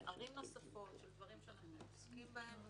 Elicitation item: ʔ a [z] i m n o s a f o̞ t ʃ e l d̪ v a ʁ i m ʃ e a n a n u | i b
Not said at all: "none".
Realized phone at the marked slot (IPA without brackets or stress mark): ʁ